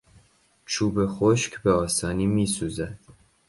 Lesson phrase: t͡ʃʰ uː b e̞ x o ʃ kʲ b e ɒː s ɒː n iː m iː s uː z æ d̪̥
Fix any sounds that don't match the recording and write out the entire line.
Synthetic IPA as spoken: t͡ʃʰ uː b e̞ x o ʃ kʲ b e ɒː s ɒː n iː m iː s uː z æ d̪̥